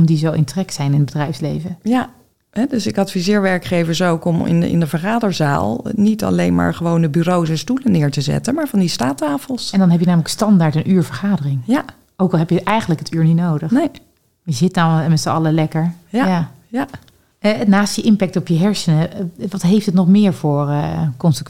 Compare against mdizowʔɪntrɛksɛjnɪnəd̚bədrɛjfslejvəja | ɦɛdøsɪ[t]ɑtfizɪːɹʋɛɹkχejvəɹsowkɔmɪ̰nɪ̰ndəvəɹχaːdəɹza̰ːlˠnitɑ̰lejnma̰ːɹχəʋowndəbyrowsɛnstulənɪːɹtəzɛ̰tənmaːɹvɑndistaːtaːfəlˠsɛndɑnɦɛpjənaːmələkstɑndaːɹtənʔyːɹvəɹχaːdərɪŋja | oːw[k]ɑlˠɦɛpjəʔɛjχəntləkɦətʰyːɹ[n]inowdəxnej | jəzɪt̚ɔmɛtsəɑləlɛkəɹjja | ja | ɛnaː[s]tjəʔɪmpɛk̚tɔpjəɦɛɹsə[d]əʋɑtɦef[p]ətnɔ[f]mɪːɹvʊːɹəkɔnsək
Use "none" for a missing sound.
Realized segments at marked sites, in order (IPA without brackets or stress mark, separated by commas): k, k, n, s, n, t, χ